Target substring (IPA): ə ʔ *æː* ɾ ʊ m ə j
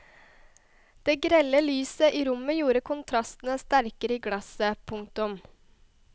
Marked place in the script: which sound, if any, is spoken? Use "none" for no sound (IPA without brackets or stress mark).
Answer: iː